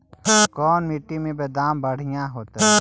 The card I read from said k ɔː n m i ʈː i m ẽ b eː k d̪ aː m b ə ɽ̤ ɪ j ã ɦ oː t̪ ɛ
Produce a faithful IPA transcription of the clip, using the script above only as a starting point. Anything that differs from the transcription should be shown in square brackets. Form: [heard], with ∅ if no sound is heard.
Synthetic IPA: k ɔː n m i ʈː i m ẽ b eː [∅] d̪ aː m b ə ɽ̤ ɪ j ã ɦ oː t̪ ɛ